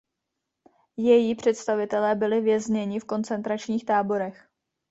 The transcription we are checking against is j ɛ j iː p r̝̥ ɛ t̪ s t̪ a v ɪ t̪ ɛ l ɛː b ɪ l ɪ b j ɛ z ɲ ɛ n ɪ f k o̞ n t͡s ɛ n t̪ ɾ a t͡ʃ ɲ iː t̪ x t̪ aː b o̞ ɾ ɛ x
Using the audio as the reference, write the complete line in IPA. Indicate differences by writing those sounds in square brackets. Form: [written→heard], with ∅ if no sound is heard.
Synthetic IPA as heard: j ɛ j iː p r̝̥ ɛ t̪ s t̪ a v ɪ t̪ ɛ l ɛː b ɪ l ɪ [b→v] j ɛ z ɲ ɛ [n→ɲ] ɪ f k o̞ n t͡s ɛ n t̪ ɾ a t͡ʃ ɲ iː [t̪→∅] x t̪ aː b o̞ ɾ ɛ x